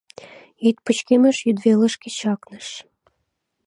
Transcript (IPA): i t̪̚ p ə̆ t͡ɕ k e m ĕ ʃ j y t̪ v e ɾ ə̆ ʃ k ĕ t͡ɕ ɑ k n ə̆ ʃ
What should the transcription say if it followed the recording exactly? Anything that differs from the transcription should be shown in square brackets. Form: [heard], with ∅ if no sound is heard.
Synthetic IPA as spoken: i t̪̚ p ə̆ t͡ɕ k e m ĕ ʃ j y [d̪] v e [l] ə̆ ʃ k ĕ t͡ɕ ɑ k n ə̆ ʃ